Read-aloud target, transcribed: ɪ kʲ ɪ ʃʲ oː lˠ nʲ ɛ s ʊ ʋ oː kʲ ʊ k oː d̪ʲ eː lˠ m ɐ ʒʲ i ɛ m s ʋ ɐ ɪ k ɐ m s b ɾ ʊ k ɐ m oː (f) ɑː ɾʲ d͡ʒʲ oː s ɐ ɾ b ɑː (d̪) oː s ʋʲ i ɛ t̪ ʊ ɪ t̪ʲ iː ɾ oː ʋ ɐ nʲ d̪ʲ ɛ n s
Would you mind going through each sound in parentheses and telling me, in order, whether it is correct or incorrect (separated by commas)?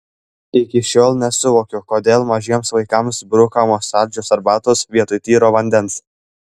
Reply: incorrect, incorrect